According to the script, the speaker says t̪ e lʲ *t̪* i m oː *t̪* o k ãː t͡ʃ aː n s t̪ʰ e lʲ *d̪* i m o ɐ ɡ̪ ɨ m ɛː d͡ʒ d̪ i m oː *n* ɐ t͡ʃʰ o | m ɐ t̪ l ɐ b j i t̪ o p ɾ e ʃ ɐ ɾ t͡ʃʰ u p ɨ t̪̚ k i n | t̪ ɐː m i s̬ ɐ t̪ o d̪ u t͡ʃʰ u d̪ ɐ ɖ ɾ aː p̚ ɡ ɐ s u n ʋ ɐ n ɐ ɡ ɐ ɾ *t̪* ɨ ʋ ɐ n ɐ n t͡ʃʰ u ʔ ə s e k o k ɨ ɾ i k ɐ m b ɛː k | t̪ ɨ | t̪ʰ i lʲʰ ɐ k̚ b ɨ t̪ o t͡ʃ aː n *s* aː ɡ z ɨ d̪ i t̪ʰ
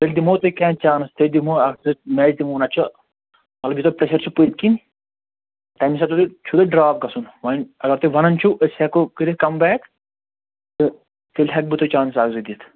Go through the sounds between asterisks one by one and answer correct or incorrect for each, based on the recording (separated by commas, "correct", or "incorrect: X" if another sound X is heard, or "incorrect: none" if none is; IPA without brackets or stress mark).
incorrect: d̪, correct, correct, correct, correct, correct